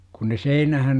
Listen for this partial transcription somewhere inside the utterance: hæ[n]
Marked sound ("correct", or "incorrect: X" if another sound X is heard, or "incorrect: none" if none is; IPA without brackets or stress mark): correct